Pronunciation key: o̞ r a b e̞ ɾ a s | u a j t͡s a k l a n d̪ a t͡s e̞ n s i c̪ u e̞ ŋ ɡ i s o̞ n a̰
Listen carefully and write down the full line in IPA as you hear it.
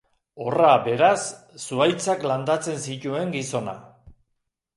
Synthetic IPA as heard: o̞ r a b e̞ ɾ a sː | u a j t͡s a k l a n d̪ a t͡s e̞ n s i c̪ u e̞ ŋ ɡ i s o̞ n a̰